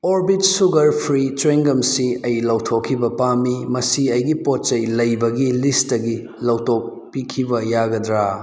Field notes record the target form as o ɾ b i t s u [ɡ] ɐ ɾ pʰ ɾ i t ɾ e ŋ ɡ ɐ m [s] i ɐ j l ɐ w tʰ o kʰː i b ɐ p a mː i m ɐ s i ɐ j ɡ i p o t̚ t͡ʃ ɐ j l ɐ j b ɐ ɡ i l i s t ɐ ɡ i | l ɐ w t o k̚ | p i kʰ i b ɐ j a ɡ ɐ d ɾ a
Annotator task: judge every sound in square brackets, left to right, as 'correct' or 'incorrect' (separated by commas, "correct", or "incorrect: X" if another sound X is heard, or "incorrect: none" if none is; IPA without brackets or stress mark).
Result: correct, correct